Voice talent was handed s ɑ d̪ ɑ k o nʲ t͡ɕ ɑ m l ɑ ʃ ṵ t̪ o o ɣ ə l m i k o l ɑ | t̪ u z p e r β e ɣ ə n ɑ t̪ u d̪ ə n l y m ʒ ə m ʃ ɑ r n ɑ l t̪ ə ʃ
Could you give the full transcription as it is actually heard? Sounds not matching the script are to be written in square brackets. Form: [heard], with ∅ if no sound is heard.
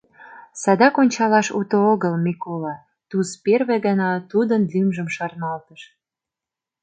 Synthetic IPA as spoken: s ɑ d̪ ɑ k o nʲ t͡ɕ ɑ [∅] l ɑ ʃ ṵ t̪ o o ɣ ə l m i k o l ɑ | t̪ u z p e r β e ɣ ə n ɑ t̪ u d̪ ə n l y m ʒ ə m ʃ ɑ r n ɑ l t̪ ə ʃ